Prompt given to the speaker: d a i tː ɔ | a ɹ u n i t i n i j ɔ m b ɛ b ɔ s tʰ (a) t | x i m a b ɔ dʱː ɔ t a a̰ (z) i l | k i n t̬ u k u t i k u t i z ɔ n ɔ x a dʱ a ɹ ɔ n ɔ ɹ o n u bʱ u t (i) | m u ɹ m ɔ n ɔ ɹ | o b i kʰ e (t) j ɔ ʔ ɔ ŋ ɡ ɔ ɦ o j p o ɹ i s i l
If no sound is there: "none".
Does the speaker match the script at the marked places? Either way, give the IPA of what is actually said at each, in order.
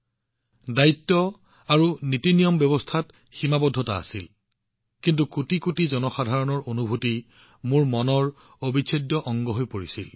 a, s, i, d

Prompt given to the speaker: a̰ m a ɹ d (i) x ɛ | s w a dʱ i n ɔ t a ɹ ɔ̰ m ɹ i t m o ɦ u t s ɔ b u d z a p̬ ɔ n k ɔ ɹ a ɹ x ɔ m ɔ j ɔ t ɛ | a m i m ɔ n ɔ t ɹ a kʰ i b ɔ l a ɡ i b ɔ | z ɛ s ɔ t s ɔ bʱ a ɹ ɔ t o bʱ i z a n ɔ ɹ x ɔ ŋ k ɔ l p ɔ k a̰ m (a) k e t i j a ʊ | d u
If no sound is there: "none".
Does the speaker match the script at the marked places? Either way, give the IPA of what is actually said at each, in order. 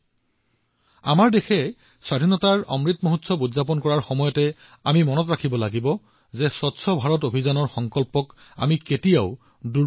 e, i

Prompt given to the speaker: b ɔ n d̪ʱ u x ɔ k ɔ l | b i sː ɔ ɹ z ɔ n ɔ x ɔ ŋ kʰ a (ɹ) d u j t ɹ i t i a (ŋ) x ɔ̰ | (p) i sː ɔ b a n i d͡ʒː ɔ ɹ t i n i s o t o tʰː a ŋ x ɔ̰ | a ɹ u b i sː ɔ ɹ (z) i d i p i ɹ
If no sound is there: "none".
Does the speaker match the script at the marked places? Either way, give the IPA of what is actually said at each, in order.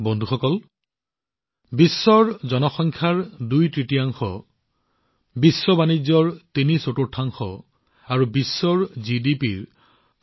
ɹ, ŋ, b, z

